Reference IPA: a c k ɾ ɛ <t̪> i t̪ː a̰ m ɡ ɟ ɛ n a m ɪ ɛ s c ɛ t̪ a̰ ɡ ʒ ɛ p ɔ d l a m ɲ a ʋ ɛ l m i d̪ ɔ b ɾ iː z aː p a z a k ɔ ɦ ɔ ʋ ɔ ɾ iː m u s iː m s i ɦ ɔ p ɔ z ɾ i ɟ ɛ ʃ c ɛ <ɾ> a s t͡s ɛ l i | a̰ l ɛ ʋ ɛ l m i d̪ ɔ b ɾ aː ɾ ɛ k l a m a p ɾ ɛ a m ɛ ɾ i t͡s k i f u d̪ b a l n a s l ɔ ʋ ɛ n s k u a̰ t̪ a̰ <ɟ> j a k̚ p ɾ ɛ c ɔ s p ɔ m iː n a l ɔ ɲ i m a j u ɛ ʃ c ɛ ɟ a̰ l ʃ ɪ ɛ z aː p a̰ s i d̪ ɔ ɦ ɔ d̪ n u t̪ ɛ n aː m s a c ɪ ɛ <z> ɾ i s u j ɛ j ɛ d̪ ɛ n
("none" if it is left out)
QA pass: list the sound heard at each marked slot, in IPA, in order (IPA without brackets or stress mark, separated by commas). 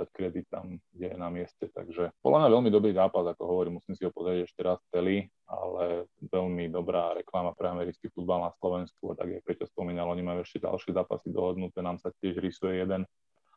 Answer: d̪, ɾ, ɡ, ʒ